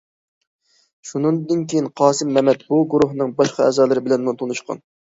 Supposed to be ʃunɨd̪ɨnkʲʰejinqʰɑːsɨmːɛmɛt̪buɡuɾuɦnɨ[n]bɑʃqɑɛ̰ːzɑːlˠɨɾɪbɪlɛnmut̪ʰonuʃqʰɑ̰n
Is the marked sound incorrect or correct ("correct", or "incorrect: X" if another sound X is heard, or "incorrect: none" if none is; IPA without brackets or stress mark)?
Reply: incorrect: ŋ